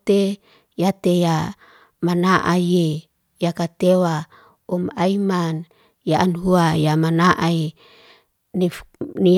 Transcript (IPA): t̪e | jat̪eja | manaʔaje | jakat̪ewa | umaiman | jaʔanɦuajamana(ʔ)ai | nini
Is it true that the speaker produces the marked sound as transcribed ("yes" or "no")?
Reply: yes